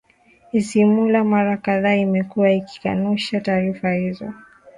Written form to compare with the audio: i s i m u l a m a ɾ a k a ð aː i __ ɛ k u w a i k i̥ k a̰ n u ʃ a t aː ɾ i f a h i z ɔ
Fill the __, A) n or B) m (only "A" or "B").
B